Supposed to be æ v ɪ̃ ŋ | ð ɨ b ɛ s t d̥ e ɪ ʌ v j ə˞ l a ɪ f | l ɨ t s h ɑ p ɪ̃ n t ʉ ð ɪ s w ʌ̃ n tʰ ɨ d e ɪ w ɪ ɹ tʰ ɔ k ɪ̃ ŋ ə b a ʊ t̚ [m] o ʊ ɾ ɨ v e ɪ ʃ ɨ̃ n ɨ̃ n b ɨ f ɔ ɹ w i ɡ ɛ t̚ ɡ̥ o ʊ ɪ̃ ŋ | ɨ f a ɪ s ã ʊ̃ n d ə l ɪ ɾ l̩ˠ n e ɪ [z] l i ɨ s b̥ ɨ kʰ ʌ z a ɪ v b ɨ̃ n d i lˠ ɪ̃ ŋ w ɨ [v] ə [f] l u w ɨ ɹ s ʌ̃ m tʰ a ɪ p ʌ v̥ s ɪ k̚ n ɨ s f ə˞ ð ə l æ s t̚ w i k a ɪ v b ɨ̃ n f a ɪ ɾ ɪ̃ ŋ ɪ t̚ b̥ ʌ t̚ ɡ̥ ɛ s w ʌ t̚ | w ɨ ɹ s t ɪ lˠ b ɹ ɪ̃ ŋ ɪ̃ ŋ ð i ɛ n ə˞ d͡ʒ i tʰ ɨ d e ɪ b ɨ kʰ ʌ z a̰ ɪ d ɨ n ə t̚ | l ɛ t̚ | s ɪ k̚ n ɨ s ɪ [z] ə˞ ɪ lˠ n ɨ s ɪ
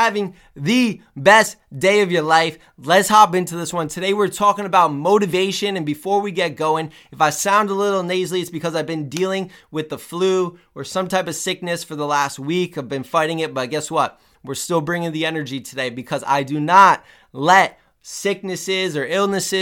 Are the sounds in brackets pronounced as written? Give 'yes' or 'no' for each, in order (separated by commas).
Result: yes, yes, no, yes, yes